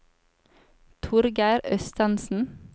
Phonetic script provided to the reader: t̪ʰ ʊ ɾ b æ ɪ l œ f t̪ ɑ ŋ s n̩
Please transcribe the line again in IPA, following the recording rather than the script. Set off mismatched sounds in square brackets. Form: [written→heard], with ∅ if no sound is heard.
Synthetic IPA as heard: t̪ʰ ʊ ɾ [b→ɡ] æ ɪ [l→ɾ] œ [f→s] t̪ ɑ [ŋ→n] s n̩